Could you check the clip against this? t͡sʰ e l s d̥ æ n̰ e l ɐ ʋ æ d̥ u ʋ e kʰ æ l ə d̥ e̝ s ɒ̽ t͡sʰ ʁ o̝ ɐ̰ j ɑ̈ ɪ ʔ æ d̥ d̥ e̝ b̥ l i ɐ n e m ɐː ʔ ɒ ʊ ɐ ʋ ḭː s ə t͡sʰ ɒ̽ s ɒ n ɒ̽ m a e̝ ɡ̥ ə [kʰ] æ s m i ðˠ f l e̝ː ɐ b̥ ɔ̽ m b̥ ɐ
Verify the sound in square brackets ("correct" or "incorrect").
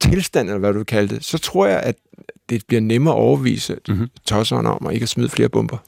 incorrect